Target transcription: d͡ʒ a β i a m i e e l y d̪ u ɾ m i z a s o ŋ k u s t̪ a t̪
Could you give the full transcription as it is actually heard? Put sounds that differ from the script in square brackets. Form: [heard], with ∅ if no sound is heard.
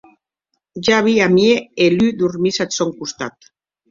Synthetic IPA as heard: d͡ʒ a β i a m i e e l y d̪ u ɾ m i [s] a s o ŋ k u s t̪ a t̪

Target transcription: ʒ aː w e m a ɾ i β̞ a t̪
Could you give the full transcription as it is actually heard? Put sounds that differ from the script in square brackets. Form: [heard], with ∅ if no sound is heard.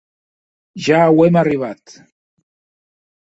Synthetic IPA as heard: ʒ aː w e m a [r] i β̞ a t̪

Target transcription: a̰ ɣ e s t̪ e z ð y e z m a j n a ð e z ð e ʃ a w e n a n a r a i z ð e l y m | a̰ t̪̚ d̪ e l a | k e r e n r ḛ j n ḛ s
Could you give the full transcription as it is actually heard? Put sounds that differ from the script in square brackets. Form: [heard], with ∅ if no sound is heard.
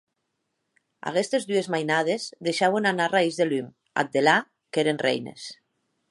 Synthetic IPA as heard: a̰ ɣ e s t̪ e z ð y e z m a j n a ð e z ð e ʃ a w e n a n a r a i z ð e l y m | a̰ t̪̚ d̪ e l a | k e [ɾ] e n r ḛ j n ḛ s

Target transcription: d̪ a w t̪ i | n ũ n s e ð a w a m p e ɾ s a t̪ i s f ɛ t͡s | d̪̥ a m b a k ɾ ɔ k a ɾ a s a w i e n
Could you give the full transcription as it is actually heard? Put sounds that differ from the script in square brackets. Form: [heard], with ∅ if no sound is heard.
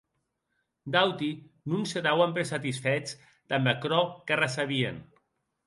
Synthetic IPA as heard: d̪ a w t̪ i | n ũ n s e ð a w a m p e ɾ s a t̪ i s f ɛ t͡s | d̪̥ a m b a k ɾ ɔ k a [r] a s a [β] i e n

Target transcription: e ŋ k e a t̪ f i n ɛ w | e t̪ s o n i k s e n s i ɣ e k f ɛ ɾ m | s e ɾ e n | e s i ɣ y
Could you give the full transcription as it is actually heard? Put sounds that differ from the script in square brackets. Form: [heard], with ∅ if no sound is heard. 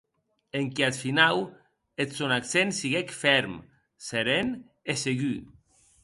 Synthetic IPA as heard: e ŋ k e a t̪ f i n [a] w | e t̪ s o n [a] k s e n s i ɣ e k f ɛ ɾ m | s e ɾ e n | e s [e] ɣ y

